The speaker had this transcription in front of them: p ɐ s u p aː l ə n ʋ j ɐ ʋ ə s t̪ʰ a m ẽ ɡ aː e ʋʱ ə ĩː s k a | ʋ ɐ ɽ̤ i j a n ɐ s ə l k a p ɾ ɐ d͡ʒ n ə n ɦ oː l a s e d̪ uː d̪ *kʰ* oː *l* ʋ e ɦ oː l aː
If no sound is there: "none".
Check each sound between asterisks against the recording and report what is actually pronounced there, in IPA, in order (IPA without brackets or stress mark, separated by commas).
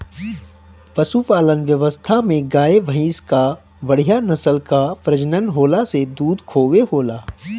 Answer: kʰ, none